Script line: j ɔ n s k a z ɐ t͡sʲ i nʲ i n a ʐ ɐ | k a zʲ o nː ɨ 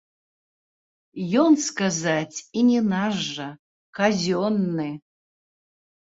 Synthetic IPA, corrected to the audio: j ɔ n s k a z a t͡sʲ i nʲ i n a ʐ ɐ | k a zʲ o nː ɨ